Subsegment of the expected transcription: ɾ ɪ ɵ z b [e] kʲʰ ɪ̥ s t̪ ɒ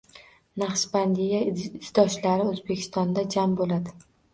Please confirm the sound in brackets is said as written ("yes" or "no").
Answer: yes